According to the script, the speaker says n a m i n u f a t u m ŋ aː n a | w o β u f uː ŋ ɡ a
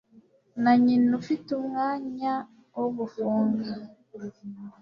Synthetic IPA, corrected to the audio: n a ɲ i n u f i t u m ŋ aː ɲ a | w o β u f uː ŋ ɡ a